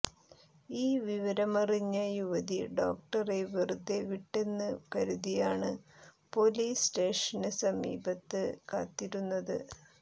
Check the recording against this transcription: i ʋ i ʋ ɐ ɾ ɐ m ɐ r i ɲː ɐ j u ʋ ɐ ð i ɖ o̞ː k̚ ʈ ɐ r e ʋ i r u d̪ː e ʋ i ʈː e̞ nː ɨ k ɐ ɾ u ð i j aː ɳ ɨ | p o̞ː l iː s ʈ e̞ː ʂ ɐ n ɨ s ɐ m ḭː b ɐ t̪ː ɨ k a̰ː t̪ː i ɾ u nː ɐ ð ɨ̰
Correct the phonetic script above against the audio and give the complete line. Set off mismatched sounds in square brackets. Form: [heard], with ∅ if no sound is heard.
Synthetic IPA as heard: [iː] ʋ i ʋ ɐ ɾ ɐ m ɐ r i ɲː ɐ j u ʋ ɐ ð i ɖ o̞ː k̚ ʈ ɐ r e ʋ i r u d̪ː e ʋ i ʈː e̞ nː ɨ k ɐ ɾ u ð i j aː ɳ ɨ | p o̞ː l iː s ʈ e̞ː ʂ ɐ n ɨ s ɐ m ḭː b ɐ t̪ː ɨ k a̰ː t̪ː i ɾ u nː ɐ ð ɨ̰

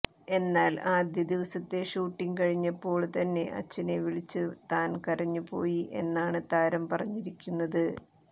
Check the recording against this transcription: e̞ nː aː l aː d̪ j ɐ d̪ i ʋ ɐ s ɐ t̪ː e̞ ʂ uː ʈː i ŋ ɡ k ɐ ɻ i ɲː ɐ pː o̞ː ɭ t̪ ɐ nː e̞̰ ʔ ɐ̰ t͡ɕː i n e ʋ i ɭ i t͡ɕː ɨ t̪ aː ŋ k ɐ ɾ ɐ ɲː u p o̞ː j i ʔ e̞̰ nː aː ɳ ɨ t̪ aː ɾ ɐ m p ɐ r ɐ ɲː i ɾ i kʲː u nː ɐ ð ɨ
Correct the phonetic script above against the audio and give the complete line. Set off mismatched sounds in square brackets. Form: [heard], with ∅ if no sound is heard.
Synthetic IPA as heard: e̞ nː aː l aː d̪ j ɐ d̪ i ʋ ɐ s ɐ t̪ː e̞ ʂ uː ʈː i ŋ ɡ k ɐ ɻ i ɲː ɐ pː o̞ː ɭ t̪ ɐ nː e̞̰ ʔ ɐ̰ t͡ɕː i n e ʋ i ɭ i t͡ɕː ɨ t̪ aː [n] k ɐ ɾ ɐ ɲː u p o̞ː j i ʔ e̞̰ nː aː ɳ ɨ t̪ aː ɾ ɐ m p ɐ r ɐ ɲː i ɾ i kʲː u nː ɐ ð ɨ

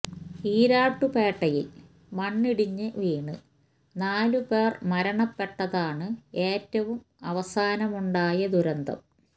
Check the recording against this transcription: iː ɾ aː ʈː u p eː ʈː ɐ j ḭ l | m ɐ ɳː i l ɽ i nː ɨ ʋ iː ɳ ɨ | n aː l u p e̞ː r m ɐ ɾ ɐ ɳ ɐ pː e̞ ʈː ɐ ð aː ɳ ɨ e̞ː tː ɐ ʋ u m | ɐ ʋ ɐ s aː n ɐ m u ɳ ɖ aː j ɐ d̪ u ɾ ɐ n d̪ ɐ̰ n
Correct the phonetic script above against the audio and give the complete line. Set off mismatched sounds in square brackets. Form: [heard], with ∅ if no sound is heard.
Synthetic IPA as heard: iː ɾ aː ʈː u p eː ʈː ɐ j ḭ l | m ɐ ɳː i [∅] ɽ i [ɲː] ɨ ʋ iː ɳ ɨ | n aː l u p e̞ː r m ɐ ɾ ɐ ɳ ɐ pː e̞ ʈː ɐ ð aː ɳ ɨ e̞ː tː ɐ ʋ u m | ɐ ʋ ɐ s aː n ɐ m u ɳ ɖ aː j ɐ d̪ u ɾ ɐ n d̪ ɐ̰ [m]

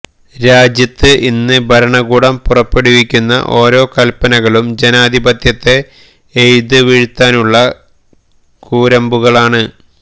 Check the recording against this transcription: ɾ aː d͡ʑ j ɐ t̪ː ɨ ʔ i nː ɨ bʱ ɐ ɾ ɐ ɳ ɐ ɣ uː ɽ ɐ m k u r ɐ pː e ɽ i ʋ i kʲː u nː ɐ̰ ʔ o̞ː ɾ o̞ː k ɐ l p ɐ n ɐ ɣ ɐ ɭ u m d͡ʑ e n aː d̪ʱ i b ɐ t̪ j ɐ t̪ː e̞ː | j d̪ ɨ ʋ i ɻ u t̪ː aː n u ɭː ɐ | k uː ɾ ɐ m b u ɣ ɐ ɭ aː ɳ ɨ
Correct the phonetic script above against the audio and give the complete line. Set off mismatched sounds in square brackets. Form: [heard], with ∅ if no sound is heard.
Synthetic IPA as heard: ɾ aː d͡ʑ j ɐ t̪ː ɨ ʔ i nː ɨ bʱ ɐ ɾ ɐ ɳ ɐ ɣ uː ɽ ɐ m [p] u r ɐ pː e ɽ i ʋ i kʲː u nː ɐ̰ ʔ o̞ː ɾ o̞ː k ɐ l p ɐ n ɐ ɣ ɐ ɭ u m d͡ʑ e n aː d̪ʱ i b ɐ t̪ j ɐ t̪ː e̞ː | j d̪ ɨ ʋ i ɻ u t̪ː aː n u ɭː ɐ | k uː ɾ ɐ m b u ɣ ɐ ɭ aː ɳ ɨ

